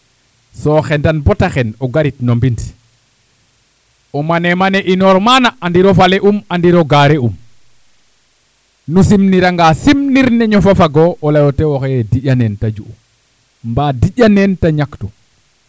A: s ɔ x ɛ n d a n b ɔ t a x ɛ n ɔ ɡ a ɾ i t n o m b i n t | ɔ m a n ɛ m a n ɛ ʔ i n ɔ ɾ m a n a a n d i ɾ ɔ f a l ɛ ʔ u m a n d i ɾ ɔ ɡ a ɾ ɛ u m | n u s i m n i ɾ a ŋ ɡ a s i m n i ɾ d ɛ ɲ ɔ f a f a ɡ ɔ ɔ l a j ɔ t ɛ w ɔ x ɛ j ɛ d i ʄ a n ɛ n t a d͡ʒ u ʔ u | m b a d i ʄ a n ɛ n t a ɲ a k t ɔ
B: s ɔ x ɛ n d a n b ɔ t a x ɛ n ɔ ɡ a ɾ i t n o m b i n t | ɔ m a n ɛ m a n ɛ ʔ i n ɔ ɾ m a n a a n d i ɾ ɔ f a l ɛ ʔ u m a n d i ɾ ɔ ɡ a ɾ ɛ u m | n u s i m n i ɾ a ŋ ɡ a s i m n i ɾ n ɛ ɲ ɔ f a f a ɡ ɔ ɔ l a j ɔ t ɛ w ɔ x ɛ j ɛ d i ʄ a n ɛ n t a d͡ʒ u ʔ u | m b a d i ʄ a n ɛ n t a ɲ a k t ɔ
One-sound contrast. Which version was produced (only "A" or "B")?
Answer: B